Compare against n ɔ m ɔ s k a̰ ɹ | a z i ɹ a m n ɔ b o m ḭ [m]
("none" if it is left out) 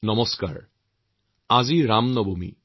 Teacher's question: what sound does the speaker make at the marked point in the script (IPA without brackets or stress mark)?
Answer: none